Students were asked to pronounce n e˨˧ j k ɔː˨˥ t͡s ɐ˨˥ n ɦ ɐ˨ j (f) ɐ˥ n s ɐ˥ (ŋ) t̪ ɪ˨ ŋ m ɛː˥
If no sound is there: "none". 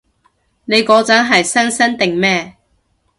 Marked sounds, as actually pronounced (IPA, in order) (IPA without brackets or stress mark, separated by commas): s, n